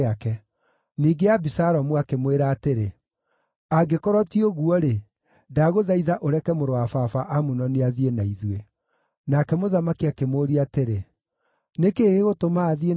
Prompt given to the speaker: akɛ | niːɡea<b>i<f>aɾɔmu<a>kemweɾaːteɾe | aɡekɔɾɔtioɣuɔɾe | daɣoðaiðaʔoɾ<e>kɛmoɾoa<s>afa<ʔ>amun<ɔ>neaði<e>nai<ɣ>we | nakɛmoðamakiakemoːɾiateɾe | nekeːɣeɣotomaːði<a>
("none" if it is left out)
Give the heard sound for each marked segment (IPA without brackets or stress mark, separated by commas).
b, s, a, ɛ, f, ʔ, ɔ, e, ð, e